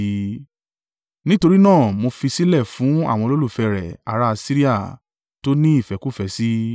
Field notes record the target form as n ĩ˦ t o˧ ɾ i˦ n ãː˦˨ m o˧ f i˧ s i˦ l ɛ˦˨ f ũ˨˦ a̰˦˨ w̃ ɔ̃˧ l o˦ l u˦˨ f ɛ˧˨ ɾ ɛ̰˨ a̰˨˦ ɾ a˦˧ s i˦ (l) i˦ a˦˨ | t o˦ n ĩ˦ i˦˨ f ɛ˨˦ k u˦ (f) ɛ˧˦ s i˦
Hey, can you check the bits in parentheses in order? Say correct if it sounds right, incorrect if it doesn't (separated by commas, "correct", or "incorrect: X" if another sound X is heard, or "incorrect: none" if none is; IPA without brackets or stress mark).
incorrect: ɾ, correct